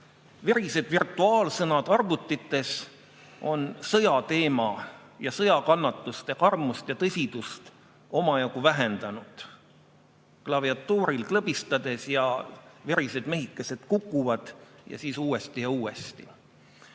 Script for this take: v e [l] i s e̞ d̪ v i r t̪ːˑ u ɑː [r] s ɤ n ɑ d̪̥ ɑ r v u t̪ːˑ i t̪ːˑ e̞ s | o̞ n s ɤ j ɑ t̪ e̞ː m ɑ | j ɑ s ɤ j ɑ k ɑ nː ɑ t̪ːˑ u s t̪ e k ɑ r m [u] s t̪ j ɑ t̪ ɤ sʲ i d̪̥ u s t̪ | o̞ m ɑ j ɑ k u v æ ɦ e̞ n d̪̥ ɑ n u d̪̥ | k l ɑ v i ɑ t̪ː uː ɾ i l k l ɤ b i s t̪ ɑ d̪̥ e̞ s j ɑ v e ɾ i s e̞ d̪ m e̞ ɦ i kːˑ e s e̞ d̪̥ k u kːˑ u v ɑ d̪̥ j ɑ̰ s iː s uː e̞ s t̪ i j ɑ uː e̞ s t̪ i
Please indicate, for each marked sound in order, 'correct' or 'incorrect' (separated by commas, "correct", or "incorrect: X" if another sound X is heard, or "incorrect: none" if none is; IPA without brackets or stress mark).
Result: incorrect: ɾ, incorrect: l, correct